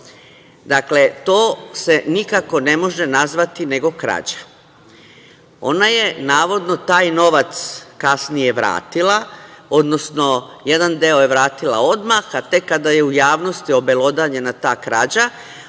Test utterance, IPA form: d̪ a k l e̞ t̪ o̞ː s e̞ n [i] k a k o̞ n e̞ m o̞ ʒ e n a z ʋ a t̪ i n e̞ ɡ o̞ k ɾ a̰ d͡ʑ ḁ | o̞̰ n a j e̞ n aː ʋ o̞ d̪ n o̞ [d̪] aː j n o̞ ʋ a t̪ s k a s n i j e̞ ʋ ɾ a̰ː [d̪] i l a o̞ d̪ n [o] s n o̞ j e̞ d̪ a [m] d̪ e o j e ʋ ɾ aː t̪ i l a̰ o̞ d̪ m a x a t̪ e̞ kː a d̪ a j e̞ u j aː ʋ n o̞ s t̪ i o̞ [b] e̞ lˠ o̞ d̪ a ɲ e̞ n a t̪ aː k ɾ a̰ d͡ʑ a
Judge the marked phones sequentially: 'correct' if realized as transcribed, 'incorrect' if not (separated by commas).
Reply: correct, incorrect, incorrect, correct, incorrect, correct